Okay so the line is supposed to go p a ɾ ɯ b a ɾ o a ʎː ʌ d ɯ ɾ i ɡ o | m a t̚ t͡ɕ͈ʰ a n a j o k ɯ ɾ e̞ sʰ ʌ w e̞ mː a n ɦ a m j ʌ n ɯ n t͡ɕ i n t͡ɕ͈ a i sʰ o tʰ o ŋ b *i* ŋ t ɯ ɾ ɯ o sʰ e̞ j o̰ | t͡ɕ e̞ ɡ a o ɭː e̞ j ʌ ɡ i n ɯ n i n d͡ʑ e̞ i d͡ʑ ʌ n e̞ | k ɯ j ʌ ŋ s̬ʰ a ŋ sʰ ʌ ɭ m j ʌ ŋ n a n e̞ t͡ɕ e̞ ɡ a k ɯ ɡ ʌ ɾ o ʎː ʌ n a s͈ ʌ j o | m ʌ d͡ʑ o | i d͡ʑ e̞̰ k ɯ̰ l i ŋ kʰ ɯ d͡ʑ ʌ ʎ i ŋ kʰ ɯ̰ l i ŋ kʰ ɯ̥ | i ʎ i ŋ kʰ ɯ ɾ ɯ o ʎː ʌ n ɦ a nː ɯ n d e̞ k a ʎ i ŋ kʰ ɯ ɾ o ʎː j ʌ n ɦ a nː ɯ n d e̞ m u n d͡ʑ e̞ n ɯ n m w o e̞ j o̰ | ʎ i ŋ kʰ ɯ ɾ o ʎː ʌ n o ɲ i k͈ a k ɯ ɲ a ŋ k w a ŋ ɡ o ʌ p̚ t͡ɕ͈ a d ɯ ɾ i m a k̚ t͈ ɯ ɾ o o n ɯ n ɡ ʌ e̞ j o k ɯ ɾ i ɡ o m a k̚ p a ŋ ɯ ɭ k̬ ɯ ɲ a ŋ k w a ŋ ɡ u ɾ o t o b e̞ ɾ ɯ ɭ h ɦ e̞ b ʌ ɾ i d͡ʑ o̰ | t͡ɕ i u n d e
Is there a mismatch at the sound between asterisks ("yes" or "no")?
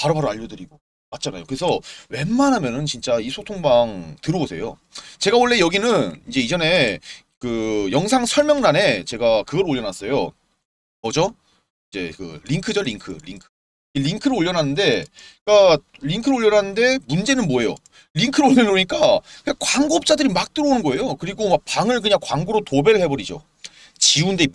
yes